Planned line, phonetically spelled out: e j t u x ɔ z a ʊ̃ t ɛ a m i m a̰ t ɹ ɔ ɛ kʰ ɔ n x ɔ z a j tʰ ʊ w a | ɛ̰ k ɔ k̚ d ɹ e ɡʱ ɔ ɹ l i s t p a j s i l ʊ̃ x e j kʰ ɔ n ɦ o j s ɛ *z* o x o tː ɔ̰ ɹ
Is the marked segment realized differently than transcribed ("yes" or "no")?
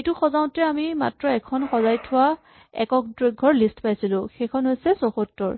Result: yes